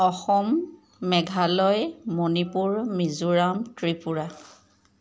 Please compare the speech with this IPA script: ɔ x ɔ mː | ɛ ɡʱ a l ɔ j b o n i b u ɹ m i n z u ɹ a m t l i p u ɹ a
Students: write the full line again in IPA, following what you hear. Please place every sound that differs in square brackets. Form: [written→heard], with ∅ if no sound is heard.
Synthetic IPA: ɔ x ɔ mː | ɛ ɡʱ a l ɔ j [b→m] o n i [b→p] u ɹ m i [n→∅] z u ɹ a m t [l→ɹ] i p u ɹ a